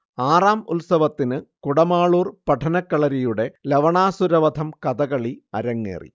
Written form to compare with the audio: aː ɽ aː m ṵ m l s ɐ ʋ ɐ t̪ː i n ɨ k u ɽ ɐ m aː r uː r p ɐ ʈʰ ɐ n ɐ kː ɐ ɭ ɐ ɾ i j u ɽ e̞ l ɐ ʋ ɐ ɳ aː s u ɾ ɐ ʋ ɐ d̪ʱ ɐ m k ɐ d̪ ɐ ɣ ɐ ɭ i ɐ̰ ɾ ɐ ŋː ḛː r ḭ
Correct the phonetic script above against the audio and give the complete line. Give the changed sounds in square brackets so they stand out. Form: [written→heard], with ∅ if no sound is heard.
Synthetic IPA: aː [ɽ→r] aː m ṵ [m→∅] l s ɐ ʋ ɐ t̪ː i n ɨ k u ɽ ɐ m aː [r→ɭ] uː r p ɐ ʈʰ ɐ n ɐ kː ɐ ɭ ɐ ɾ i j u ɽ e̞ l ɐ ʋ ɐ ɳ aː s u ɾ ɐ ʋ ɐ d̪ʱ ɐ m k ɐ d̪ ɐ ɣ ɐ ɭ i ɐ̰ ɾ ɐ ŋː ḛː r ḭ